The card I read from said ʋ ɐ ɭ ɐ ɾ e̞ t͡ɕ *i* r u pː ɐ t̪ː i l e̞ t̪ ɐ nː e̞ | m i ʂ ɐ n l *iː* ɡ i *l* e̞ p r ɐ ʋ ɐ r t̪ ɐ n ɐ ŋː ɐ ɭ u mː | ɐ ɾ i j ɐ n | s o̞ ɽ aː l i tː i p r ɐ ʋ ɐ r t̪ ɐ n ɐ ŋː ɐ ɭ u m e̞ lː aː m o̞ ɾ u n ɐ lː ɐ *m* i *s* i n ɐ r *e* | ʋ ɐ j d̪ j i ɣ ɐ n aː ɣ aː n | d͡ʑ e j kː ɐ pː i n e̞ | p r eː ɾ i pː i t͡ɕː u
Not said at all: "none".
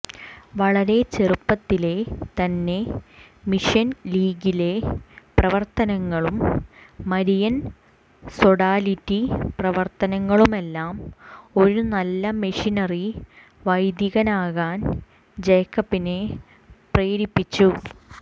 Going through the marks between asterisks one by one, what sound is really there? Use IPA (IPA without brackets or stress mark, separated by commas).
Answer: e, iː, l, m, ʂ, i